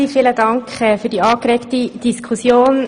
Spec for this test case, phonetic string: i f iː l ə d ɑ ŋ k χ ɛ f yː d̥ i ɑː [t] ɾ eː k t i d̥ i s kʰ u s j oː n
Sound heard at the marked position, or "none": k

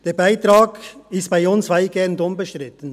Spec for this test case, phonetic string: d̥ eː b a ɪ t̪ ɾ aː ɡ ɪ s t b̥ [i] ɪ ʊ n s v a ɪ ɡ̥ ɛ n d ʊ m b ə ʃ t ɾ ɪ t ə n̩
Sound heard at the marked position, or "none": a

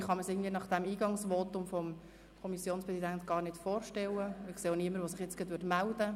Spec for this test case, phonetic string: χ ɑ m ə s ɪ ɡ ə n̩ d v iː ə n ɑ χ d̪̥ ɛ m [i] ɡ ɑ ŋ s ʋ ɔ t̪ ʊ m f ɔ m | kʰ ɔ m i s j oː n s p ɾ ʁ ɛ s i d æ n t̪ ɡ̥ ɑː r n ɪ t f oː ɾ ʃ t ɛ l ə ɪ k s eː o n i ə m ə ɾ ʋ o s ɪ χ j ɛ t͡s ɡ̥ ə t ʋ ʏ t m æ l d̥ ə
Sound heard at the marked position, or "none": iː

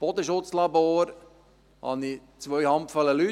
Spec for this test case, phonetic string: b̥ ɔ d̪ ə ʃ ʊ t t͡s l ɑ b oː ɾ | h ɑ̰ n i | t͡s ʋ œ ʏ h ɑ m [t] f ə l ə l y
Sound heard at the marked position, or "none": p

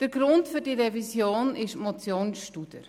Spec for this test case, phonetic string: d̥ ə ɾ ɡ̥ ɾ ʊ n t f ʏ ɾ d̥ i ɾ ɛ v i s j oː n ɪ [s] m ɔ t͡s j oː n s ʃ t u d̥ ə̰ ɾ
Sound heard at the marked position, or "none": ʃ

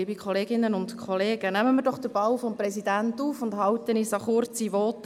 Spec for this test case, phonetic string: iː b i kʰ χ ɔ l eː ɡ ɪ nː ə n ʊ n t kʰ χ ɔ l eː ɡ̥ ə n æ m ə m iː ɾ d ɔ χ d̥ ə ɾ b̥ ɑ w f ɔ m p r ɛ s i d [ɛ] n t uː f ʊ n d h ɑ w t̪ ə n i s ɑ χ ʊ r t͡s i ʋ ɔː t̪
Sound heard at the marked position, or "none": æ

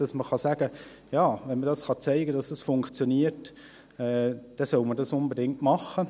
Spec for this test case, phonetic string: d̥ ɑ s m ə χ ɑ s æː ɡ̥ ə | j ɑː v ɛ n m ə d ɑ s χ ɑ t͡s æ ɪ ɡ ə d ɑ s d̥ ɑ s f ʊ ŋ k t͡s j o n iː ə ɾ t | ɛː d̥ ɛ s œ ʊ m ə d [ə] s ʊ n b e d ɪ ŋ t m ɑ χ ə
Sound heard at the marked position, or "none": ɑ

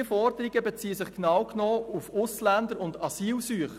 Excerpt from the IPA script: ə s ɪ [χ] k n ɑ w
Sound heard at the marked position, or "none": χ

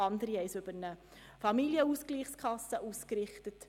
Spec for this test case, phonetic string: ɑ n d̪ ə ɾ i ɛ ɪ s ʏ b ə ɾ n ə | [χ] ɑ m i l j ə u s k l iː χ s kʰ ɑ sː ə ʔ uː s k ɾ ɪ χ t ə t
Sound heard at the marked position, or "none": f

